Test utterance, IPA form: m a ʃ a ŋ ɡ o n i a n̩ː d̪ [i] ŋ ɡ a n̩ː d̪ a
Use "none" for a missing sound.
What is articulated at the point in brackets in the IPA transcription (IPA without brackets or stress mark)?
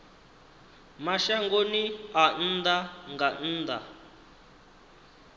a